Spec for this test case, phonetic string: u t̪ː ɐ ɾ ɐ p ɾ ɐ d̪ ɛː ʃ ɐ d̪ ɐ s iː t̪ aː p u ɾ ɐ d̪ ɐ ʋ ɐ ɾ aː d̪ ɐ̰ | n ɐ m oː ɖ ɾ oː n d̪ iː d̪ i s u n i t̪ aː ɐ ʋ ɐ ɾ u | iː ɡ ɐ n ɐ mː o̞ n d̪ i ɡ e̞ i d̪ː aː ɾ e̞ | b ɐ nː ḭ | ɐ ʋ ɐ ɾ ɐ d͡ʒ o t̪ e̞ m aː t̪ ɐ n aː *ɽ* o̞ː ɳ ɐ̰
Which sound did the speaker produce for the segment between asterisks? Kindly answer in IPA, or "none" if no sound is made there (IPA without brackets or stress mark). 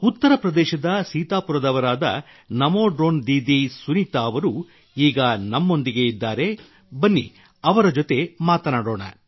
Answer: ɽ